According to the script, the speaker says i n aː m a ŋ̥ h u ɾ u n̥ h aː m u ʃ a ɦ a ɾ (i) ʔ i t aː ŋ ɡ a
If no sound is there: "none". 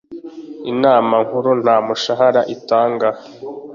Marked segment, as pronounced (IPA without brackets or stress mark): a